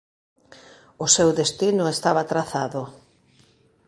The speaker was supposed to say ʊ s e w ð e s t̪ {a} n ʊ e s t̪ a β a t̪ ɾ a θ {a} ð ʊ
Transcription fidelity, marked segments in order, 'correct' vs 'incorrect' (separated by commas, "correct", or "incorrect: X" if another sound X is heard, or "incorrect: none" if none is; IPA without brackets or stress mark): incorrect: i, correct